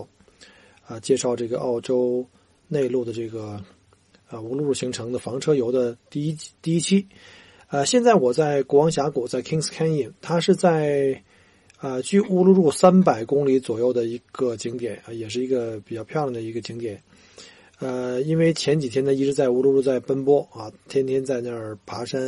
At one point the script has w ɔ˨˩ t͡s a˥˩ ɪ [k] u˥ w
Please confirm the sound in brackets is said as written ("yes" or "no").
yes